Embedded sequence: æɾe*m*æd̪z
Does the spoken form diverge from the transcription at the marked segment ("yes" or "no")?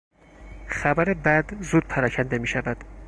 yes